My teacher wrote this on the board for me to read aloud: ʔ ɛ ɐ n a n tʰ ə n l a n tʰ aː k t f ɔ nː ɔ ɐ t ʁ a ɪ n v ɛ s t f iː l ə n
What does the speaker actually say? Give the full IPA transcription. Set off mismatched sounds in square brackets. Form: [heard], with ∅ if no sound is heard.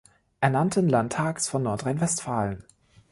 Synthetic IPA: ʔ ɛ ɐ n a n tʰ ə n l a n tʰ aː k [s] f ɔ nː ɔ ɐ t ʁ a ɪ n v ɛ s t f [aː] l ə n